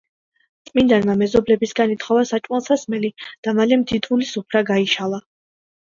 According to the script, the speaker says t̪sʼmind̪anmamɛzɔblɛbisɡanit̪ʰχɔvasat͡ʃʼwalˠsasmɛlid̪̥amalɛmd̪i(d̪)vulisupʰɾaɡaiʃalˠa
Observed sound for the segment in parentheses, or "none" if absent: d̪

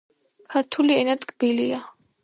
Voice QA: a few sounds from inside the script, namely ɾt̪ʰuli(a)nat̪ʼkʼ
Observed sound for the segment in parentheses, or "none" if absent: ɛ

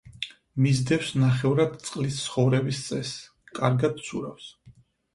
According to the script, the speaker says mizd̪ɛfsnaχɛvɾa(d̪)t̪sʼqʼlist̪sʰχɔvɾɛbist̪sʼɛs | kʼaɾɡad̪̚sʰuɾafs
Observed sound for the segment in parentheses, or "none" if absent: d̪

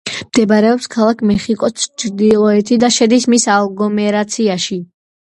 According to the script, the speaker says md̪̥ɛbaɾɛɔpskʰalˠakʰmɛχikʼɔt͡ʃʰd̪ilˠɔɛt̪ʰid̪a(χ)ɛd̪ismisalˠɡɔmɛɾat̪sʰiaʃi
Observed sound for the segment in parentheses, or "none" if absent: ʃ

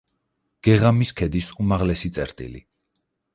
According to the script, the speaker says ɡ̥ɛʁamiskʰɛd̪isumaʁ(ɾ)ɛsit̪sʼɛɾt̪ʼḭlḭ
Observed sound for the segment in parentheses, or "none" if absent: l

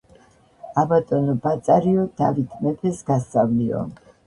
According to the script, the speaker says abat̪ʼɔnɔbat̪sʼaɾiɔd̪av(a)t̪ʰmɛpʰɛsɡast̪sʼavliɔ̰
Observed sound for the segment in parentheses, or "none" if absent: i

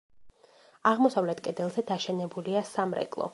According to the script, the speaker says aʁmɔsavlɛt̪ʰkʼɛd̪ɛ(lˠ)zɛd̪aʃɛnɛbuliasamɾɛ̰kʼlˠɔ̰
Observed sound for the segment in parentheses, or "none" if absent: lˠ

